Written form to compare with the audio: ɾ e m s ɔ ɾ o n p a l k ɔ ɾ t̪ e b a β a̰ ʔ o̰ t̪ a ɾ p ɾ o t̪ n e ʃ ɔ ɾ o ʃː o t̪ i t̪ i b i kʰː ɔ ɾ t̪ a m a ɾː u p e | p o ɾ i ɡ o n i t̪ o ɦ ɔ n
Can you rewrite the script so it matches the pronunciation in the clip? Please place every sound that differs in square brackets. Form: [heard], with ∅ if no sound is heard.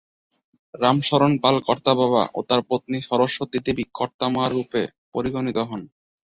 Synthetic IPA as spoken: ɾ [a] m [ʃ] ɔ ɾ o n p a l k ɔ ɾ t̪ [a] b a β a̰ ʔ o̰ t̪ a ɾ p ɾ o t̪ n [i] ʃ ɔ ɾ o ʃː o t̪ i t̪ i b i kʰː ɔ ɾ t̪ a m a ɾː u p e | p o ɾ i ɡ o n i t̪ o ɦ ɔ n